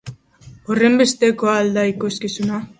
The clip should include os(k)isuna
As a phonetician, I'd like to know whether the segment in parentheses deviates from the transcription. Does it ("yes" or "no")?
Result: no